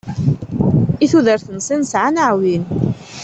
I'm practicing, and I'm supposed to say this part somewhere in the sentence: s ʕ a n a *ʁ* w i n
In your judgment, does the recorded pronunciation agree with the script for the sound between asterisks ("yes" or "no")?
no